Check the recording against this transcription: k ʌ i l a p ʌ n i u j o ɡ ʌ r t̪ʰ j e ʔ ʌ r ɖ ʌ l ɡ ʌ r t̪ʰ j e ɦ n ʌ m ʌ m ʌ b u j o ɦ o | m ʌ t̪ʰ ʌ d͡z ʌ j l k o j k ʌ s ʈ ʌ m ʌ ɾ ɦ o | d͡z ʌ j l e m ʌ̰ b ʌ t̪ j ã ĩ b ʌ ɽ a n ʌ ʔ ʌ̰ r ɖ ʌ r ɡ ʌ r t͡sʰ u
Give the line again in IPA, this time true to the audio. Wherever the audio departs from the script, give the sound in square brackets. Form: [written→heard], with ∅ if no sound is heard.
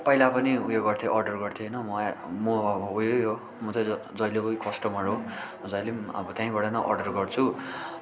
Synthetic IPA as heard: [k→p] ʌ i l a p ʌ n i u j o ɡ ʌ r t̪ʰ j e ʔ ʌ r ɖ ʌ [l→r] ɡ ʌ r t̪ʰ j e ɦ n ʌ m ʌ m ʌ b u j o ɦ o | m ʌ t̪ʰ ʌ d͡z ʌ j l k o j k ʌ s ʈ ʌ m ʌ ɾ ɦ o | d͡z ʌ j l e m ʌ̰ b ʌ t̪ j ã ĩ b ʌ ɽ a n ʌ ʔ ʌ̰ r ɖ ʌ r ɡ ʌ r t͡sʰ u